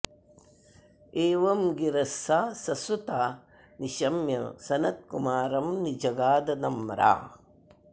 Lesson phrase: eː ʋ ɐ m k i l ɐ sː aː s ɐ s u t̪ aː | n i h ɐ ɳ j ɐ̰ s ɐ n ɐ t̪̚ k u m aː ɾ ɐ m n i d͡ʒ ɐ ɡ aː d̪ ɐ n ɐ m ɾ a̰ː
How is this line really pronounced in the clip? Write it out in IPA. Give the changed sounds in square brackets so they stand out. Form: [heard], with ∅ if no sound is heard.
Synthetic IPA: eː ʋ ɐ m [ɡ] i [ɾ] ɐ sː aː s ɐ s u t̪ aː | n i [ʃ] ɐ [m] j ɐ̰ s ɐ n ɐ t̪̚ k u m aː ɾ ɐ m n i d͡ʒ ɐ ɡ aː d̪ ɐ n ɐ m ɾ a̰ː